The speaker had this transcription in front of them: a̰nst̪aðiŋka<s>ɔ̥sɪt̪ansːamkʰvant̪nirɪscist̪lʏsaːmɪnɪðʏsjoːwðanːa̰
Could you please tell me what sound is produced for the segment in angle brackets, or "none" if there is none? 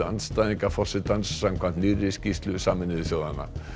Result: f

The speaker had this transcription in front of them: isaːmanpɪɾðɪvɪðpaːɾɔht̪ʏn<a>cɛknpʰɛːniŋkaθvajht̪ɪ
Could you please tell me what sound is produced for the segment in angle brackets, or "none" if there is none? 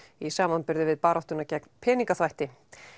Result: a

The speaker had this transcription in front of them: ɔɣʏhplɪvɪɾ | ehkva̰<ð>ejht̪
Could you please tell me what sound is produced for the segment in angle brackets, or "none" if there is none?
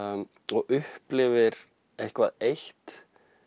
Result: ð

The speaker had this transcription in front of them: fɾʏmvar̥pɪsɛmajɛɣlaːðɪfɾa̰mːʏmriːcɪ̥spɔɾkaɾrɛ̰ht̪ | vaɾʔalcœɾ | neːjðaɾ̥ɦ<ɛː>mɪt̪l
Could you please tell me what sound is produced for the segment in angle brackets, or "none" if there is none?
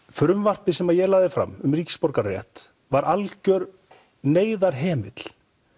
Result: ɛː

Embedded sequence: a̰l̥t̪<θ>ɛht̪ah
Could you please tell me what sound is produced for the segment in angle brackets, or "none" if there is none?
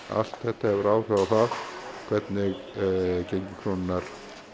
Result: θ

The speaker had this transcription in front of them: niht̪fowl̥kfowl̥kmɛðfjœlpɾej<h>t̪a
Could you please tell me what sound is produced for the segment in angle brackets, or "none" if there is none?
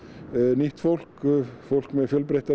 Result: h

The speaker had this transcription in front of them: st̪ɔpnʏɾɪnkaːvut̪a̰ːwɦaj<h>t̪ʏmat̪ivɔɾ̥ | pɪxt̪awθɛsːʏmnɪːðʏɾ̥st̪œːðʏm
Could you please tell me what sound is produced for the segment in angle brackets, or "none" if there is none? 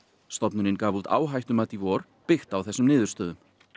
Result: h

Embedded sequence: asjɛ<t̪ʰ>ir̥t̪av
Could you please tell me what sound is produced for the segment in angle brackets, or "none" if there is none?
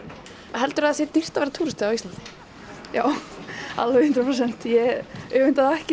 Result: t̪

